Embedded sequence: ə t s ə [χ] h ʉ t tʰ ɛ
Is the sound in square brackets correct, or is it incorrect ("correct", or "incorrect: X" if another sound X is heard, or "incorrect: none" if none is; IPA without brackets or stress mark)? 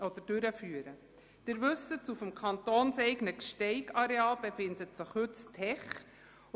correct